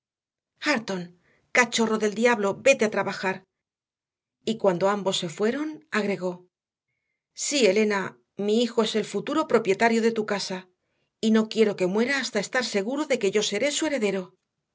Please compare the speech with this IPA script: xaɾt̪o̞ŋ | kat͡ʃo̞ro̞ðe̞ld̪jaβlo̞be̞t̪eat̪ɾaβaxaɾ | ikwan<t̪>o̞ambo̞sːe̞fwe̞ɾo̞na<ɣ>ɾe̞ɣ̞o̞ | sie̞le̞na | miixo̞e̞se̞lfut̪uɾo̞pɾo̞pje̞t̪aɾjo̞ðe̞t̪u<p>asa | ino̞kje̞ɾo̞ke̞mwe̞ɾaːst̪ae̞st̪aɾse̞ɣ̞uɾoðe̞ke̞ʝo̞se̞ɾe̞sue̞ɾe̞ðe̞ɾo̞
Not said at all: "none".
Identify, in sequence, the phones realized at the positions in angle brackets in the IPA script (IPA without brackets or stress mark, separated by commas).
d̪, ɣ, k